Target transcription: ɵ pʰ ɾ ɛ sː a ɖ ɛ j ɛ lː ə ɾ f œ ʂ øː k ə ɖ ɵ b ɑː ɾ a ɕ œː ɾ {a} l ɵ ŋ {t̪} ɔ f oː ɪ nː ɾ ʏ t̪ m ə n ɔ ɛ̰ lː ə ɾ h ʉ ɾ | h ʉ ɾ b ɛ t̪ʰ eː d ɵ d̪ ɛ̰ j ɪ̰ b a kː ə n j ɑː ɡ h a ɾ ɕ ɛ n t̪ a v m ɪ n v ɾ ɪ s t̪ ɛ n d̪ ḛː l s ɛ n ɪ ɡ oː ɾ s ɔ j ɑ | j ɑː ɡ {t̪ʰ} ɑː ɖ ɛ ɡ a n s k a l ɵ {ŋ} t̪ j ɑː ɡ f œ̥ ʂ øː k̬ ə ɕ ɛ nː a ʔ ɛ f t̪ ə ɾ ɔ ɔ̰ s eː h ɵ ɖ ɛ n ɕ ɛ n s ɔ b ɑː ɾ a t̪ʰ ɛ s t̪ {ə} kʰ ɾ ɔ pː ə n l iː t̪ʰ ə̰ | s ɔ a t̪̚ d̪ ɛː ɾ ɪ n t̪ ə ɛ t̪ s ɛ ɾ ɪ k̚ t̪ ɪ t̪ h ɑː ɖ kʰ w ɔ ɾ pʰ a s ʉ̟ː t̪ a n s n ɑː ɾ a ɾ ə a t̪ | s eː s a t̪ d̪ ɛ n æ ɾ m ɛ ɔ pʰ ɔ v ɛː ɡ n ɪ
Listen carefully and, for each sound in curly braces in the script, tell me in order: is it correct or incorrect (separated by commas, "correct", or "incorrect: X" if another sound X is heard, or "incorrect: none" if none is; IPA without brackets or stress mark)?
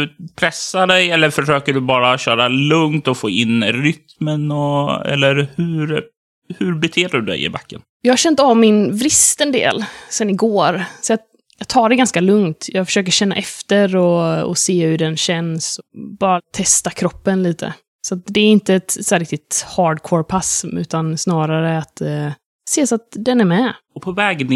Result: correct, correct, correct, correct, incorrect: a